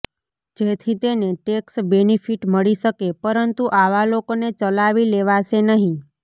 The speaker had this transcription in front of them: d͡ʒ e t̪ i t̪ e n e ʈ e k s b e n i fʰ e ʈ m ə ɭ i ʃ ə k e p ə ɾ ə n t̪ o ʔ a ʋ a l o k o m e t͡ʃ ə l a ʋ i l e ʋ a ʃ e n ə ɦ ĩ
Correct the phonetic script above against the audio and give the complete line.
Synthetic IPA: d͡ʒ e t̪ʰ i t̪ e n e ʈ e k s b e n i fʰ i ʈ m ə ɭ i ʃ ə k e p ə ɾ ə n t̪ u ʔ a ʋ a l o k o n e t͡ʃ ə l a ʋ i l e ʋ a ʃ e n ə ɦ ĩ